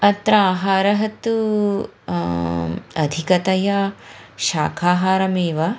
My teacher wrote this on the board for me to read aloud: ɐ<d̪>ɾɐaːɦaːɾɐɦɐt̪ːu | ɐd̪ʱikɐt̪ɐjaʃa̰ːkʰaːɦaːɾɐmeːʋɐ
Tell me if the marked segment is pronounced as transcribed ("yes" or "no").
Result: no